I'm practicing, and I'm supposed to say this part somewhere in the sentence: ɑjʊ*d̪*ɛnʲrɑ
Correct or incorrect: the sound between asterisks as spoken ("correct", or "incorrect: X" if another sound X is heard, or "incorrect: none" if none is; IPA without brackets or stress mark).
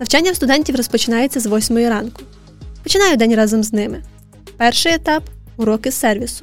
correct